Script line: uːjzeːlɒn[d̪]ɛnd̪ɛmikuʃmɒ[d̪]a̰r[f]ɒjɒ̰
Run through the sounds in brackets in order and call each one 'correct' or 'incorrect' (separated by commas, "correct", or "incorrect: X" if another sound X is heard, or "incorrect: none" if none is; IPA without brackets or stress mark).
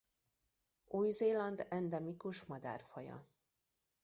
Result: correct, correct, correct